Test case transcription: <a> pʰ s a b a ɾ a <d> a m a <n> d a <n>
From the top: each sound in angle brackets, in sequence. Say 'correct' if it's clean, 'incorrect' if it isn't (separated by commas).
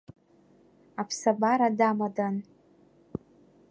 correct, correct, incorrect, correct